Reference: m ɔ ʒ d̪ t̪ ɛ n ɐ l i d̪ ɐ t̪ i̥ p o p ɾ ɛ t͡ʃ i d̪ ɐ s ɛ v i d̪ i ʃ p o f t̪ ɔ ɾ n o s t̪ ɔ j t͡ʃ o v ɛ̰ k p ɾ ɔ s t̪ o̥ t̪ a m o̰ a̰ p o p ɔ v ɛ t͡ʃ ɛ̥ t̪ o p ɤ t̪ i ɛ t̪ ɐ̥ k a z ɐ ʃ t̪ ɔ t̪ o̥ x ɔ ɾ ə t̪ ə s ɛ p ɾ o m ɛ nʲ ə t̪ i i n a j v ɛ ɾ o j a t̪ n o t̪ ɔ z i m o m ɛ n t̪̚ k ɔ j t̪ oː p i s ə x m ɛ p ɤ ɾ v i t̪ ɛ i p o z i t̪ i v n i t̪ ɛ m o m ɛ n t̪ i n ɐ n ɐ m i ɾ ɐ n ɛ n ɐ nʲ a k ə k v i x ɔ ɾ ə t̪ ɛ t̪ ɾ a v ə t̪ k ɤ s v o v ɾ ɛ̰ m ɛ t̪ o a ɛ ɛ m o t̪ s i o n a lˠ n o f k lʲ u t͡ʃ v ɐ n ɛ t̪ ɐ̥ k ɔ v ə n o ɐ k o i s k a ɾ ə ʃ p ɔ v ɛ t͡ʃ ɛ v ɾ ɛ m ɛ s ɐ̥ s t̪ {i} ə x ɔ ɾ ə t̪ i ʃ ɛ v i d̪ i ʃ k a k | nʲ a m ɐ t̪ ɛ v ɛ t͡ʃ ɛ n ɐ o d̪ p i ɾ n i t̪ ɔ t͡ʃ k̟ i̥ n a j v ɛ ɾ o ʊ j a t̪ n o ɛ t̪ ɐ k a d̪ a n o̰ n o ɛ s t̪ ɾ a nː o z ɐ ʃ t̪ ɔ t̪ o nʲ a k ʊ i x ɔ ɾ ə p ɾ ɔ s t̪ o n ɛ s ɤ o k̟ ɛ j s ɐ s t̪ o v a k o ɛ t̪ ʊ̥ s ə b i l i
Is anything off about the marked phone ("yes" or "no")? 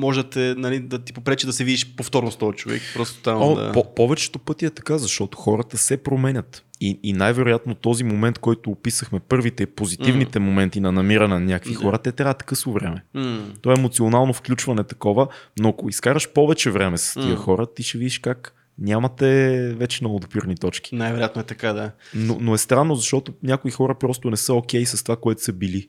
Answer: no